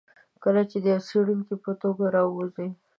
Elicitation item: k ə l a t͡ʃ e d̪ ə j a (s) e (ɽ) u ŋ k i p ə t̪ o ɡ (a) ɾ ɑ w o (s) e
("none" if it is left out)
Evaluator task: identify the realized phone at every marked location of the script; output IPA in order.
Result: s, ɽ, a, z

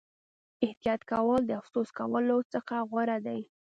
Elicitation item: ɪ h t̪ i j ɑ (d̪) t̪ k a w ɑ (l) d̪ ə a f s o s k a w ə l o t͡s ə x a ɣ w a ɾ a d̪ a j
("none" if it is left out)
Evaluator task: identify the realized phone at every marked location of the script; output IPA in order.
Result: none, l

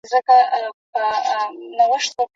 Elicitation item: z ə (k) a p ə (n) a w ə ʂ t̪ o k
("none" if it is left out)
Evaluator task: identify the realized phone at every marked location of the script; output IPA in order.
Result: k, n

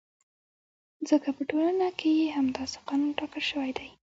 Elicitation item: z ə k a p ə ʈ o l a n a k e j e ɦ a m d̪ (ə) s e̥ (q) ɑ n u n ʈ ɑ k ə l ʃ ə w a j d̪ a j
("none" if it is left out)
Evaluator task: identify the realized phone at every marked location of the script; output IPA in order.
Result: ɑ, q

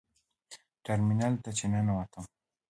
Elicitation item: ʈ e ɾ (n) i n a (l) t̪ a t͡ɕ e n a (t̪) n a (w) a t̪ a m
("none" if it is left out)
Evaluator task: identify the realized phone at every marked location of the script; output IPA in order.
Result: m, l, none, w

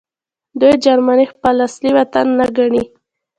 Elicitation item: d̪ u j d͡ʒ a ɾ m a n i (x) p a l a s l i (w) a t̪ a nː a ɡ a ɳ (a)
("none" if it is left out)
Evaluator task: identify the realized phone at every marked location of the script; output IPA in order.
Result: x, w, i

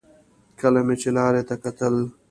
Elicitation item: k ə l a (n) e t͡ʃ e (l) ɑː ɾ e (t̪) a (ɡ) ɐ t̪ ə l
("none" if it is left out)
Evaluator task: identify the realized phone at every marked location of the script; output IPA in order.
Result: m, l, t̪, k

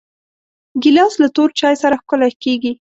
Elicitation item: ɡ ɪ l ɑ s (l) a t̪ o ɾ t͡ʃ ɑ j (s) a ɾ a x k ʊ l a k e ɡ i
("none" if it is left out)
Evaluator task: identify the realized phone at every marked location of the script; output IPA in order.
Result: l, s

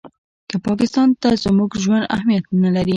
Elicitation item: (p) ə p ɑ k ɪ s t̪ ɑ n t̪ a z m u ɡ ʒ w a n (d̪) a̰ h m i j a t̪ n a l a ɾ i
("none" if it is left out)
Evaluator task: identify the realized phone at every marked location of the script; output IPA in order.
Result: k, d̪

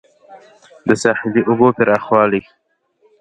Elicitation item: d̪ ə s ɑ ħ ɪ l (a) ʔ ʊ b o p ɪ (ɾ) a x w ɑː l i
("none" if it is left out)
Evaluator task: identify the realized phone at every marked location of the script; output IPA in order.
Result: i, ɾ

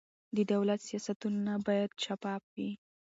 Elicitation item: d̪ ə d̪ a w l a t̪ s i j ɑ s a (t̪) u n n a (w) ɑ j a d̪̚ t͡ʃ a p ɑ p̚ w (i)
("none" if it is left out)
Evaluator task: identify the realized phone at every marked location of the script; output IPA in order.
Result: t̪, b, i

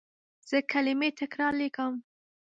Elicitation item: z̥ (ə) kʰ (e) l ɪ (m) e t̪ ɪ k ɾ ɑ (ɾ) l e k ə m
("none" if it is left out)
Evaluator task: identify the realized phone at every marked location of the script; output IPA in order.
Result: ə, a, m, ɾ

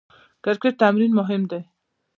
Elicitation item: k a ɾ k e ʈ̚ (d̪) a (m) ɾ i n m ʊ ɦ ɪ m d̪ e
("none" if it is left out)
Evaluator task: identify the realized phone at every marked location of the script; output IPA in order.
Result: t̪, m

